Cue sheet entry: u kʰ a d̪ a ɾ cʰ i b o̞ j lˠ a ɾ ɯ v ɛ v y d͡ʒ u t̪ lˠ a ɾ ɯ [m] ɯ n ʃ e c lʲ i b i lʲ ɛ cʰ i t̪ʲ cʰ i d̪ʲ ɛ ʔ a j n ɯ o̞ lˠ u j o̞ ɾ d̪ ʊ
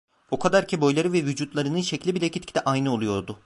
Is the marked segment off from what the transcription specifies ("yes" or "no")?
yes